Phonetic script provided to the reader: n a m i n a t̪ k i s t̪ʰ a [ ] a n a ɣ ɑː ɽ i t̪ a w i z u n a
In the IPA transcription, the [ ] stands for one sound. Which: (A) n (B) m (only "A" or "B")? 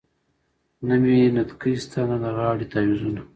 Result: A